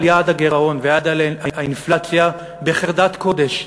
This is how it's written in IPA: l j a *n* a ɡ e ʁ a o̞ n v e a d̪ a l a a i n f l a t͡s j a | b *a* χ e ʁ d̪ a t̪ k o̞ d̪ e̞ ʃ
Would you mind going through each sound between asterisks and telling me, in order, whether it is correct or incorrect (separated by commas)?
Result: incorrect, incorrect